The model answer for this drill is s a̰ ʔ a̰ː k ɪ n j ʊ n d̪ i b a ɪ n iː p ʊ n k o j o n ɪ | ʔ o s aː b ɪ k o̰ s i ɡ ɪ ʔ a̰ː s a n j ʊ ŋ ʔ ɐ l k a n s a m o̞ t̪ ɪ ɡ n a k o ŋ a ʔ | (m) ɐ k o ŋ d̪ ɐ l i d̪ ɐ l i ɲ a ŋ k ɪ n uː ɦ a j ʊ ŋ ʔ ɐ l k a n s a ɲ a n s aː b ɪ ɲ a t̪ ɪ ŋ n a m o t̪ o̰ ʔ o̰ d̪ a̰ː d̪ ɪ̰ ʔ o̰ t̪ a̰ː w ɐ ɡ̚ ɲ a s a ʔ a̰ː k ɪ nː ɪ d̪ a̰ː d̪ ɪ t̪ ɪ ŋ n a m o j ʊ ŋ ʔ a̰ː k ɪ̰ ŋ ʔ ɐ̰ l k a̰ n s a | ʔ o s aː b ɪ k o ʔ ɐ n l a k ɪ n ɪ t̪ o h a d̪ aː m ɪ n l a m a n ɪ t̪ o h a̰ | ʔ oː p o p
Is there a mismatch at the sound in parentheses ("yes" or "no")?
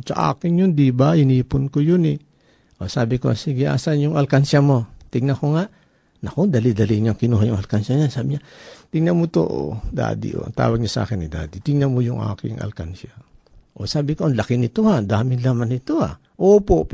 yes